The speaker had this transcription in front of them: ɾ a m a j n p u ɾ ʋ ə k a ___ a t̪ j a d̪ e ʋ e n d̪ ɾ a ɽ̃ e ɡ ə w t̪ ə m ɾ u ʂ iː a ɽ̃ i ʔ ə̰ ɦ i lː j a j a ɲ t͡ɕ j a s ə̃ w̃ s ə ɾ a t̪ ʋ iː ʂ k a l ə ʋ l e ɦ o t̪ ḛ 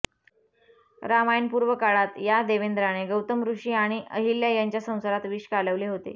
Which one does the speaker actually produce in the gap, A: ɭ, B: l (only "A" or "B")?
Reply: A